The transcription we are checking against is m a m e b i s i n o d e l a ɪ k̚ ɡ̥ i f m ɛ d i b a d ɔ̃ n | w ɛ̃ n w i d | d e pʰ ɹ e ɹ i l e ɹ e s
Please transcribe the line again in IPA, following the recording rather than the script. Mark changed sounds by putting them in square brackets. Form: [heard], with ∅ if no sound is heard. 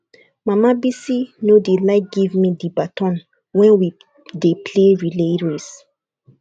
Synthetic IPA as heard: m a m [a] b i s i n o d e l a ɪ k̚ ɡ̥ i [v] m [i] d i b a [t] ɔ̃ n | w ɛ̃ n w i [∅] | d e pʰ [l] e ɹ i l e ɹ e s